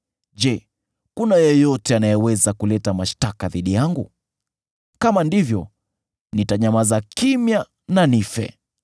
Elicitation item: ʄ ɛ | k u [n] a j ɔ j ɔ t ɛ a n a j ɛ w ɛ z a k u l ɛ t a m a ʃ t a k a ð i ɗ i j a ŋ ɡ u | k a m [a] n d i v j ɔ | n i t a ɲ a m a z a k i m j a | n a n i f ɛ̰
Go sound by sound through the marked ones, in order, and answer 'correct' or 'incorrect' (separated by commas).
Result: correct, correct